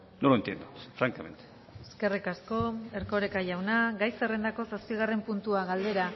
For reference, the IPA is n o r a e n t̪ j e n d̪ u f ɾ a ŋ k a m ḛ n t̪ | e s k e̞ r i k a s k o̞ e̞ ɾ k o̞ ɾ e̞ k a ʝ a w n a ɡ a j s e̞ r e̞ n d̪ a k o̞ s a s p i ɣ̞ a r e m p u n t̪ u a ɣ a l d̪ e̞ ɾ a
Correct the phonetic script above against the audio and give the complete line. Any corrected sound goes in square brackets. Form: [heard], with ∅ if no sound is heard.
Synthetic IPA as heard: n o [l] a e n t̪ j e n d̪ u f ɾ a ŋ k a m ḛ n t̪ | e s k e̞ r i k a s k o̞ e̞ ɾ k o̞ ɾ e̞ k a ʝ a w n a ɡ a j s e̞ r e̞ n d̪ a k o̞ s a s p i ɣ̞ a r e m p u n t̪ u a ɣ a l d̪ e̞ ɾ a

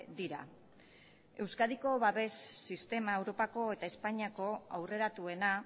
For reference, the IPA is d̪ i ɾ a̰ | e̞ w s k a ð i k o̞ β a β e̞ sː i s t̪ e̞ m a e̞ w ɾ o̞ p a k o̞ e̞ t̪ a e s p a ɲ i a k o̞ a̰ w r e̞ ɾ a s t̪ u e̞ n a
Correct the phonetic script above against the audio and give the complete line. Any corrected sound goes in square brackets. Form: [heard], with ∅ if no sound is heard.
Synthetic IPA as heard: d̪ i ɾ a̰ | e̞ w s k a ð i k o̞ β a β e̞ sː i s t̪ e̞ m a e̞ w ɾ o̞ p a k o̞ e̞ t̪ a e s p a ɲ i a k o̞ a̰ w r e̞ ɾ a [∅] t̪ u e̞ n a

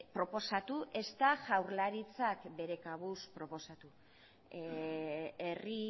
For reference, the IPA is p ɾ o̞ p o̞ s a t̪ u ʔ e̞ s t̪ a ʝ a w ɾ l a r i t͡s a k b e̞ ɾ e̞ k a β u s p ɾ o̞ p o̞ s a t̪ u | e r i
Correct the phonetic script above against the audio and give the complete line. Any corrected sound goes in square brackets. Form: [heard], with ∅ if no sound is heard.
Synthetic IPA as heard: p ɾ o̞ p o̞ s a t̪ u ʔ e̞ s t̪ a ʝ a w ɾ l a [ɾ] i t͡s a k b e̞ ɾ e̞ k a β u s p ɾ o̞ p o̞ s a t̪ u | e r i

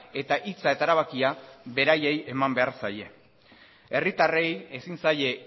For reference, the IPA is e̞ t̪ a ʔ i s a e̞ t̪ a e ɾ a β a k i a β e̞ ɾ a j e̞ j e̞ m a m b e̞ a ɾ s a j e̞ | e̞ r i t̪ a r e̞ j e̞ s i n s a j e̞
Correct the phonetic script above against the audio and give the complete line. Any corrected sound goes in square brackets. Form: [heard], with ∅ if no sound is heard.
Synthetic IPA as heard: e̞ t̪ a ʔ i [t͡s] a e̞ t̪ a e ɾ a β a k i a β e̞ ɾ a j e̞ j e̞ m a m b e̞ a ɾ s a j e̞ | e̞ r i t̪ a r e̞ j e̞ s i n s a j e̞

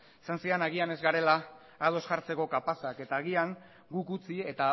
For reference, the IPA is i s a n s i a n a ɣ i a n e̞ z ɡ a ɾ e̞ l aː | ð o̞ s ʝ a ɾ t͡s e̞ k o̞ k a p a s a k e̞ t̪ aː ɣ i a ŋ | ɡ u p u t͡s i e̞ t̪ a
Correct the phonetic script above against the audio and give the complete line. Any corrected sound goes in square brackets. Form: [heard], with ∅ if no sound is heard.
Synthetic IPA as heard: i s a n s i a n a ɣ i a n e̞ z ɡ a ɾ e̞ l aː | ð o̞ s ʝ a ɾ t͡s e̞ k o̞ k a p a s a k e̞ t̪ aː ɣ i a ŋ | ɡ u [k] u t͡s i e̞ t̪ a

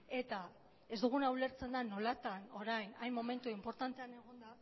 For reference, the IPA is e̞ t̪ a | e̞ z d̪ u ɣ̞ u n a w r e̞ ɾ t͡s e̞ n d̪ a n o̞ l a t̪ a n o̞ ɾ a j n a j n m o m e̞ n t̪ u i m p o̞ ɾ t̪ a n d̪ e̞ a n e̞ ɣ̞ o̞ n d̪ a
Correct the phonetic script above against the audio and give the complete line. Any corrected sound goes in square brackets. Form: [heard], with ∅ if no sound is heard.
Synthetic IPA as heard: e̞ t̪ a | e̞ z d̪ u ɣ̞ u n a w [l] e̞ ɾ t͡s e̞ n d̪ a n o̞ l a t̪ a n o̞ ɾ a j n a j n m o m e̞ n t̪ u i m p o̞ ɾ t̪ a n [t̪] e̞ a n e̞ ɣ̞ o̞ n d̪ a

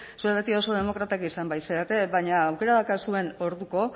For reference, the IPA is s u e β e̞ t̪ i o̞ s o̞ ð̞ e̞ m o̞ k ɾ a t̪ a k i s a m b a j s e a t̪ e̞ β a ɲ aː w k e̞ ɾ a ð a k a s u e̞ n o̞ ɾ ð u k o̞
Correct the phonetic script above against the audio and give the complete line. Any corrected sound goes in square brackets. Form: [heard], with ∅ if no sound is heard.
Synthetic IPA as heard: s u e β e̞ t̪ i o̞ s o̞ ð̞ e̞ m o̞ k ɾ a t̪ a k i s a m b a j s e a t̪ e̞ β a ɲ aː w k e̞ ɾ a ð a k a s u e̞ n o̞ ɾ ð u k o̞

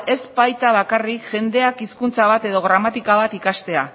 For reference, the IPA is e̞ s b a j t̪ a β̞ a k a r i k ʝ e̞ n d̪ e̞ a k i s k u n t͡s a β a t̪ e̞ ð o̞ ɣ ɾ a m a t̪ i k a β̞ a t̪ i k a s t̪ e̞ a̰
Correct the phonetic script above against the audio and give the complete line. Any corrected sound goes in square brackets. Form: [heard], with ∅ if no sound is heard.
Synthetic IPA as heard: e̞ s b a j t̪ a β̞ a k a r i k ʝ e̞ n d̪ e̞ a k i s k u n t͡s a β a t̪ e̞ ð o̞ ɣ ɾ a m a t̪ i k a β̞ a t̪ i k a s t̪ e̞ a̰

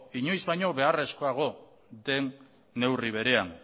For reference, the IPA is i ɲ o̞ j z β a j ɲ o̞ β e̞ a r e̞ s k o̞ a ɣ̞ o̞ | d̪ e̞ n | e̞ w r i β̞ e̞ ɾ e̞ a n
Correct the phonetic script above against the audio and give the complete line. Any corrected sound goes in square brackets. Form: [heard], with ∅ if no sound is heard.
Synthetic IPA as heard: i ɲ o̞ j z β a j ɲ o̞ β e̞ a r e̞ s k o̞ a ɣ̞ o̞ | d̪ e̞ [nː] | e̞ w r i β̞ e̞ ɾ e̞ a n

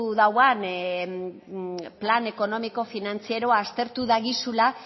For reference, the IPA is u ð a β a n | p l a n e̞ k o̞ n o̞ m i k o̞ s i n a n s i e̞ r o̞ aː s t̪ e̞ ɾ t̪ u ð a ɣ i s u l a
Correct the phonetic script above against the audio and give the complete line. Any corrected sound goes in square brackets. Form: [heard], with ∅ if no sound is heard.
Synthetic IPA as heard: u ð a [w] a n | p l a n e̞ k o̞ n o̞ m i k o̞ [f] i n a n [t͡s] i e̞ [ɾ] o̞ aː s t̪ e̞ ɾ t̪ u ð a ɣ i s u l a

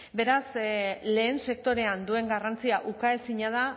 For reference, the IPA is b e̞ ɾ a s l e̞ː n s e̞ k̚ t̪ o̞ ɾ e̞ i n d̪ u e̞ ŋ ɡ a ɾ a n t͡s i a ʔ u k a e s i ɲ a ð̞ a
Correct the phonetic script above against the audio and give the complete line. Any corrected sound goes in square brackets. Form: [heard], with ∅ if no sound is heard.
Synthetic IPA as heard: b e̞ ɾ a s l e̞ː n s e̞ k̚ t̪ o̞ ɾ e̞ [a] n d̪ u e̞ ŋ ɡ a [r] a n t͡s i a ʔ u k a e s i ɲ a ð̞ a

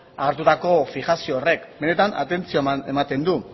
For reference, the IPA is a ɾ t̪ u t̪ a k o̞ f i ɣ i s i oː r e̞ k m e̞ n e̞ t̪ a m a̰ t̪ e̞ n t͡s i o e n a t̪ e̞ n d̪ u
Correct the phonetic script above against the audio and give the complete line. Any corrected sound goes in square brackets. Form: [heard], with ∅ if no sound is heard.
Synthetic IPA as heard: a ɾ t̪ u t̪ a k o̞ f i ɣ [a] s i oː r e̞ k [b] e̞ n e̞ t̪ a [n] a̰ t̪ e̞ n t͡s i o e [m] a t̪ e̞ n d̪ u

